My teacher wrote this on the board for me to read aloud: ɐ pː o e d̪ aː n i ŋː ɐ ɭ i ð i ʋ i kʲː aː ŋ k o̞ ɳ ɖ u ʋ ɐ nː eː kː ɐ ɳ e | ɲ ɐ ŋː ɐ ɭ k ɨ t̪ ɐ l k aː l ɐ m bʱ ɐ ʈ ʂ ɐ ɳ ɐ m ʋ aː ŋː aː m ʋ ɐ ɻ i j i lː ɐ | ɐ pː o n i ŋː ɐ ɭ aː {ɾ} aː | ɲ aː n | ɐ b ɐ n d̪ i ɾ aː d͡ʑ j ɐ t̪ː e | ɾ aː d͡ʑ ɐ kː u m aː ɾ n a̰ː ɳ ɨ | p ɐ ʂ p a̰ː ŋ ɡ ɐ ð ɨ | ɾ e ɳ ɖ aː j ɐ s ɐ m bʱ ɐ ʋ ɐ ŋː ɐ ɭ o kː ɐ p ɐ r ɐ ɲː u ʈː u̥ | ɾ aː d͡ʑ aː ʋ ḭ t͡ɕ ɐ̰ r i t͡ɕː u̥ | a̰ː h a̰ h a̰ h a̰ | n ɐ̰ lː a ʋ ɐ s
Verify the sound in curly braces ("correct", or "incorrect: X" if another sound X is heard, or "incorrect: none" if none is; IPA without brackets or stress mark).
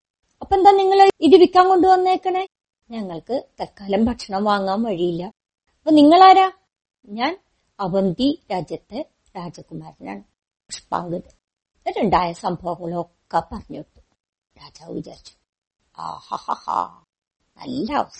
correct